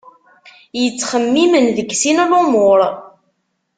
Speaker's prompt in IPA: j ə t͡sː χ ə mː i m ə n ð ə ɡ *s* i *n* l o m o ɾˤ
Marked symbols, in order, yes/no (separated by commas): yes, yes